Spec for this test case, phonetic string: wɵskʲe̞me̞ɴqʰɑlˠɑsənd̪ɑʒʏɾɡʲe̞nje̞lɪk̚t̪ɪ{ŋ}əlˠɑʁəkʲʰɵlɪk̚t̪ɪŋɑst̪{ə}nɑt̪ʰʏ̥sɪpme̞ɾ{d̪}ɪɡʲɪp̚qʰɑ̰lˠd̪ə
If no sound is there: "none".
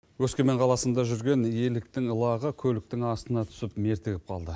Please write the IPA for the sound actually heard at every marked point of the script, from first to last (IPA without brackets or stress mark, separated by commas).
ŋ, ə, t̪